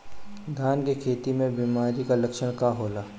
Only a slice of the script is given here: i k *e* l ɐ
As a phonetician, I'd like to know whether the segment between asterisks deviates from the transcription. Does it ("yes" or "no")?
yes